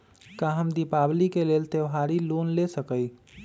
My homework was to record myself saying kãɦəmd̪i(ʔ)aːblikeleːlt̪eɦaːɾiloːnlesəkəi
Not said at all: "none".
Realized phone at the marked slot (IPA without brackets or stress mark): p